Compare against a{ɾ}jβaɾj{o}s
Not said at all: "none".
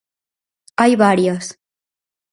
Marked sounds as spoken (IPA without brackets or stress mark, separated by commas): none, o